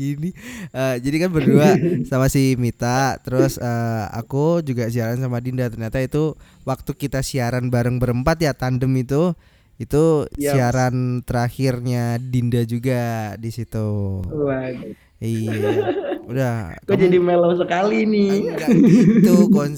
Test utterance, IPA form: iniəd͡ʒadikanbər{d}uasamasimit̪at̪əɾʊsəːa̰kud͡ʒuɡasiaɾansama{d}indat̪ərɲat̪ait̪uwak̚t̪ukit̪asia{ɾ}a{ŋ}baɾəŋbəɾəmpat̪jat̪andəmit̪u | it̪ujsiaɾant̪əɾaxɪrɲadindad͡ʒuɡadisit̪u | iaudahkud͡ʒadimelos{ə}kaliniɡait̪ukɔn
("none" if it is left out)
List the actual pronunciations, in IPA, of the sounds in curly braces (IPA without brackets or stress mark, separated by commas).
d, d, ɾ, n, ə